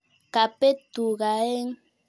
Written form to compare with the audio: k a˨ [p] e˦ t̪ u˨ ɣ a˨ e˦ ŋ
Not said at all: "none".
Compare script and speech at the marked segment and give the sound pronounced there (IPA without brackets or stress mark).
p